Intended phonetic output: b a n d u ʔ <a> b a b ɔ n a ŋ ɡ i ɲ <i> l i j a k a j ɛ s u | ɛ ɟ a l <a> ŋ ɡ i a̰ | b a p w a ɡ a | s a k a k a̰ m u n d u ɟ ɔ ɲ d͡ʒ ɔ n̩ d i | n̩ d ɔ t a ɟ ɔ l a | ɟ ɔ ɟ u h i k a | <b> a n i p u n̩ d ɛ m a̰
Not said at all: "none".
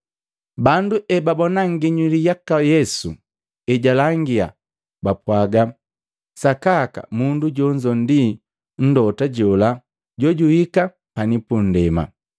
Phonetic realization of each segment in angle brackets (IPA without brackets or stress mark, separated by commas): ɛ, i, a, p